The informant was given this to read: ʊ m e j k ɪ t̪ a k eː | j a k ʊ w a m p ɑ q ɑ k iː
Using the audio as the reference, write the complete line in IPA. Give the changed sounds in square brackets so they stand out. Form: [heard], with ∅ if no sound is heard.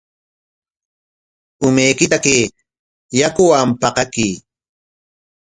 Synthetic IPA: ʊ m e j k ɪ t̪ a k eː | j a k ʊ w a m p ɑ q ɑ k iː